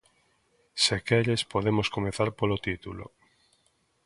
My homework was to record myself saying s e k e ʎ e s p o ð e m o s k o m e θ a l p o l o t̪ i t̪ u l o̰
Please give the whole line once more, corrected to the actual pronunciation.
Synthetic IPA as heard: s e k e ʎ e s p o ð e m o s k o m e θ a ɾ p o l o t̪ i t̪ u l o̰